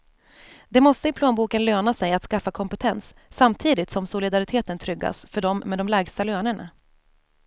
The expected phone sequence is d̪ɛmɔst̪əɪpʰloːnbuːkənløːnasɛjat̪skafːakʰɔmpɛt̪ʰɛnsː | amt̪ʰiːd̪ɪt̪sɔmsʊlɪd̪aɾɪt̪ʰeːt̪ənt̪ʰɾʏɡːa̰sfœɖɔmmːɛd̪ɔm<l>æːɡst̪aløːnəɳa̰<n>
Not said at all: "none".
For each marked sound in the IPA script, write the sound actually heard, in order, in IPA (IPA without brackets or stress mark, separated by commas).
l, none